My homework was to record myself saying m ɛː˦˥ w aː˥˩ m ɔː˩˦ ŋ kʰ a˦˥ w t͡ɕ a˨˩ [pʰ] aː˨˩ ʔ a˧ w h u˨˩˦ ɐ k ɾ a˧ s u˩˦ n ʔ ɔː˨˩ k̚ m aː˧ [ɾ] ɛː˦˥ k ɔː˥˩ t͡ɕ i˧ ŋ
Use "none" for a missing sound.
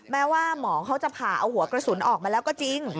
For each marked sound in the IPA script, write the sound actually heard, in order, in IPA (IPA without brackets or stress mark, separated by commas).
pʰ, l